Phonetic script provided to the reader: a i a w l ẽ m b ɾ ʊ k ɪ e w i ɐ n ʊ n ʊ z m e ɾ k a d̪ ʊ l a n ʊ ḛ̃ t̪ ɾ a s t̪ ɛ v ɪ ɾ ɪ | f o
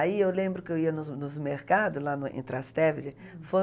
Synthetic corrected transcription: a i e w l ẽ m b ɾ ʊ k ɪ e w i ɐ n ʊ n ʊ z m e ɾ k a d̪ ʊ l a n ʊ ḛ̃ t̪ ɾ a s t̪ ɛ v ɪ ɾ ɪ | f o